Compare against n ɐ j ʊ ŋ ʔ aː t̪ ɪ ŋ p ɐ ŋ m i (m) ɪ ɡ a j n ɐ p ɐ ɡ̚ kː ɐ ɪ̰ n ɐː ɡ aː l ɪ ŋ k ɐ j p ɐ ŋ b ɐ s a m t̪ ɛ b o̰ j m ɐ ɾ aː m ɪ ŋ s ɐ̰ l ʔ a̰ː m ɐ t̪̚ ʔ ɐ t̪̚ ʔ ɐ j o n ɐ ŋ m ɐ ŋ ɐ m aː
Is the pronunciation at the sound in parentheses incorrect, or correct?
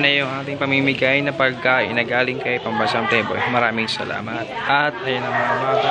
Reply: correct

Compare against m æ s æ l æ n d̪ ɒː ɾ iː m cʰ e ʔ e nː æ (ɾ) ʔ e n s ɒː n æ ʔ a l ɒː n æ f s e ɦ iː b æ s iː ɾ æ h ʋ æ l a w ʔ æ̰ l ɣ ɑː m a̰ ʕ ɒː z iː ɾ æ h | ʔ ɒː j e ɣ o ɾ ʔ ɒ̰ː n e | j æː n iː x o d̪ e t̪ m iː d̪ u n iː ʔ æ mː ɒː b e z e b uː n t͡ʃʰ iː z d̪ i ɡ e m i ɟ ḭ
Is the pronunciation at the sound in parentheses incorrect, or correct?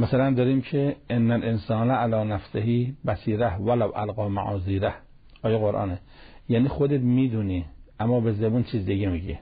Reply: incorrect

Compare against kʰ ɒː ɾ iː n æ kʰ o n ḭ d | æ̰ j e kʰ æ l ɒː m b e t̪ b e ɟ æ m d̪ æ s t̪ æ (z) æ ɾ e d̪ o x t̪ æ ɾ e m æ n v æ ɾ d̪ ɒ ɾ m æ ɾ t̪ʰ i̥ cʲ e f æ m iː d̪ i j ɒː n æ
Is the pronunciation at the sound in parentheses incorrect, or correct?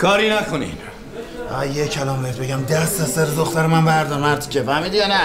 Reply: incorrect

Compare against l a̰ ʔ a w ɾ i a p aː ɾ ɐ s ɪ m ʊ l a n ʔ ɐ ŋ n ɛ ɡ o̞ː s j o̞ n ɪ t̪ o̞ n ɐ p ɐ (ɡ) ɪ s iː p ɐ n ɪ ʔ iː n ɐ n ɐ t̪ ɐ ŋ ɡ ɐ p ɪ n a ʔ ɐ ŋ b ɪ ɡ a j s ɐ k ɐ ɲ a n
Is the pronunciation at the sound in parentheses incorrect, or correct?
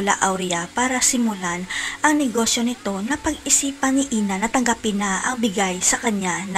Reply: correct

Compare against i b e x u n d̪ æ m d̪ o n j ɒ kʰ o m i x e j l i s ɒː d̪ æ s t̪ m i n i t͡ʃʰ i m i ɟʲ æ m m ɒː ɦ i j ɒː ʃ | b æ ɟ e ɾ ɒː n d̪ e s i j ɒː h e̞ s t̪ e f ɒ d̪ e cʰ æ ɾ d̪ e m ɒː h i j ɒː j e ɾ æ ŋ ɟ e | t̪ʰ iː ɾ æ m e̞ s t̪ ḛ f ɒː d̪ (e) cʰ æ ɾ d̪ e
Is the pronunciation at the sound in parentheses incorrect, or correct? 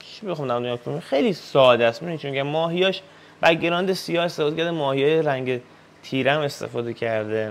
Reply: correct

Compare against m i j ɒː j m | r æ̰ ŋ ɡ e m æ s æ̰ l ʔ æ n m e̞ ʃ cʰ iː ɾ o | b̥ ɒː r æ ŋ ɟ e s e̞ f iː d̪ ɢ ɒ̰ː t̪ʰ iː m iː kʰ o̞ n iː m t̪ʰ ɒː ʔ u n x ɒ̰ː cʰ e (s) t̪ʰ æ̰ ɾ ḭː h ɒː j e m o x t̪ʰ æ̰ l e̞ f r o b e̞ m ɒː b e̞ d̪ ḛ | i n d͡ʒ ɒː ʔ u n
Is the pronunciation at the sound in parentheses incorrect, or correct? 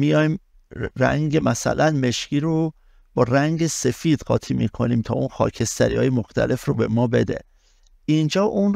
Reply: correct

